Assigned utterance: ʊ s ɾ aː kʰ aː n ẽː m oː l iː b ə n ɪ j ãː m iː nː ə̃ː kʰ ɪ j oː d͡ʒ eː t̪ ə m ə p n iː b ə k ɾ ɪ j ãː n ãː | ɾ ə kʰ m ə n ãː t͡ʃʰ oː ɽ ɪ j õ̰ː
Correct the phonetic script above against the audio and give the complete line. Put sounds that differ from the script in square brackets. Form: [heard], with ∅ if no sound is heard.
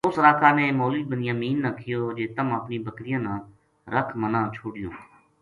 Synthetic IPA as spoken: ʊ s ɾ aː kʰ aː n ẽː m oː l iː b ə n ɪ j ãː m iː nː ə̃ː kʰ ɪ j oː d͡ʒ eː t̪ ə m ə p n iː b ə k ɾ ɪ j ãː n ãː | ɾ ə kʰ m ə n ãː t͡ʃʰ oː ɽ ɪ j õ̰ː